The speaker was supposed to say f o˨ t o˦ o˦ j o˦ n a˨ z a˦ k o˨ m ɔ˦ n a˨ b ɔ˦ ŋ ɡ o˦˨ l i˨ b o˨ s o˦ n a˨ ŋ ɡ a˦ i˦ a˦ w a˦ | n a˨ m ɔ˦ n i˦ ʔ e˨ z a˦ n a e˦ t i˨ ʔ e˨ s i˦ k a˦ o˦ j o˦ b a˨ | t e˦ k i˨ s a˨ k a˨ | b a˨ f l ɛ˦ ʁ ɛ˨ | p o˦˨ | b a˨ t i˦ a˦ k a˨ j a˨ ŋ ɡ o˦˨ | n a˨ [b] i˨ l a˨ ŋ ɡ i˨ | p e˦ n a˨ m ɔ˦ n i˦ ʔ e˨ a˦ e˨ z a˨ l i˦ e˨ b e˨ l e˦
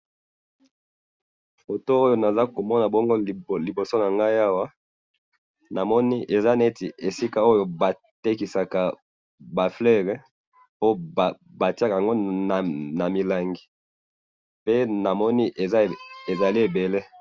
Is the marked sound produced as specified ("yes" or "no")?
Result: no